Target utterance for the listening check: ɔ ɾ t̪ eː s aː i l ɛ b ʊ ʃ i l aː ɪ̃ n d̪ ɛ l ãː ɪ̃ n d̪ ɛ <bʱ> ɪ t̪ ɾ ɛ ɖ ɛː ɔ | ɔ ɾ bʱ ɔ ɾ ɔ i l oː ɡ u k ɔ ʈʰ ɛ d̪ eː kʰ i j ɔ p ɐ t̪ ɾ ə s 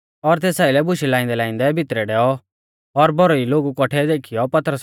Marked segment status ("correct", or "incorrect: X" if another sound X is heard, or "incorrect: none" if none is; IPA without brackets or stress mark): correct